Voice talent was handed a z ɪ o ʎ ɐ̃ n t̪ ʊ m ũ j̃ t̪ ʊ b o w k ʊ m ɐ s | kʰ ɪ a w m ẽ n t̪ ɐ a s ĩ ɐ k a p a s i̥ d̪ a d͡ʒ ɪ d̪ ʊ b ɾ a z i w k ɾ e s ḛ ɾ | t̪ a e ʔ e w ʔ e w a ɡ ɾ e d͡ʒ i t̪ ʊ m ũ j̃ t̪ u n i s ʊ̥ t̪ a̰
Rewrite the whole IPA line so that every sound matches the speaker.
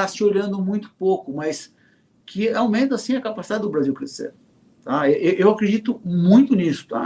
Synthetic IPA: a s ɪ o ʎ ɐ̃ n d̪ ʊ m ũ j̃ t̪ ʊ p o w k ʊ m ɐ s | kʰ ɪ a w m ẽ n t̪ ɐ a s ĩ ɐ k a p a s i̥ d̪ a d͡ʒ ɪ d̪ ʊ b ɾ a z i w k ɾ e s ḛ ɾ | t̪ a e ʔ e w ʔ e w a k ɾ e d͡ʒ i t̪ ʊ m ũ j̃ t̪ ʊ n i s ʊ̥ t̪ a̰